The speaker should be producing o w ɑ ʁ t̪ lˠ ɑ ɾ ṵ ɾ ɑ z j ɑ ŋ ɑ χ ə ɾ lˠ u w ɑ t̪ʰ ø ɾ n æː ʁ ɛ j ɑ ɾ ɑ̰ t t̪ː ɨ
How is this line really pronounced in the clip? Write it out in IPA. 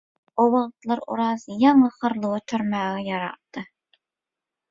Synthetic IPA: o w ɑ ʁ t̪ lˠ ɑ ɾ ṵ ɾ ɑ z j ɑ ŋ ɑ χ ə ɾ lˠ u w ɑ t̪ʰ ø ɾ m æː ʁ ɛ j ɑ ɾ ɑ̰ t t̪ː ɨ